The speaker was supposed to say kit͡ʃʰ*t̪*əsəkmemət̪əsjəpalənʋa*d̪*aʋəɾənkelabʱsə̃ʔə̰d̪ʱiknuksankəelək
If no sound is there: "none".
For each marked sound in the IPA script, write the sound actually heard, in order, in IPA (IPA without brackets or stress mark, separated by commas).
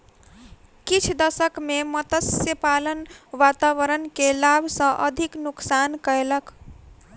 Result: d̪, t̪